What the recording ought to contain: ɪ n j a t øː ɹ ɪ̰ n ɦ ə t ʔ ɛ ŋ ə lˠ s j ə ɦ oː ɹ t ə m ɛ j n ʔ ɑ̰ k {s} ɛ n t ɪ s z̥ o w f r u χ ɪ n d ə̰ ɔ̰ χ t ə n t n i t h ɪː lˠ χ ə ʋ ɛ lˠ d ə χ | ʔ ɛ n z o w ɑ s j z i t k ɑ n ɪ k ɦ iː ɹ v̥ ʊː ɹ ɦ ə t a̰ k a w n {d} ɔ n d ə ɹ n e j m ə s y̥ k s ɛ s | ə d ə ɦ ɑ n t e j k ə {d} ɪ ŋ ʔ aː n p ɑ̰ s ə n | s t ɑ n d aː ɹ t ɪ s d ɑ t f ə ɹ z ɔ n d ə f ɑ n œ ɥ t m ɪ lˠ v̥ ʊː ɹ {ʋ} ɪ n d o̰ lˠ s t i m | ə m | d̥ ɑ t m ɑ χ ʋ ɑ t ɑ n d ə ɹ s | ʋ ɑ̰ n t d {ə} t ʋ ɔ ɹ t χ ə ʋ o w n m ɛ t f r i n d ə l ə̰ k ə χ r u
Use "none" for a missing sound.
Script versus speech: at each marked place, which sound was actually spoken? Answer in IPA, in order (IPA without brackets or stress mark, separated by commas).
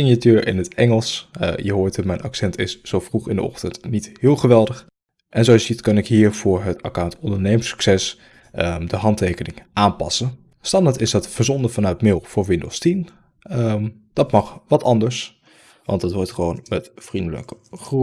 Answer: s, t, n, ʋ, ɑ